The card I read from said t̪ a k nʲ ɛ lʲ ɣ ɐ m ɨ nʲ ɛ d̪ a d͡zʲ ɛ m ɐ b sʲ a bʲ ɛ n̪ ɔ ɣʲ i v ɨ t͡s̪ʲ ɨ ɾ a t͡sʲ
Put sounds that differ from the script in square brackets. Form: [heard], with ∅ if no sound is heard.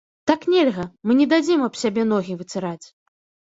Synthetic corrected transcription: t̪ a k nʲ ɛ lʲ ɣ ɐ m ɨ nʲ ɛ d̪ a d͡zʲ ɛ m ɐ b sʲ a bʲ ɛ n̪ ɔ ɣʲ i v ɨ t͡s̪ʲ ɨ ɾ a t͡sʲ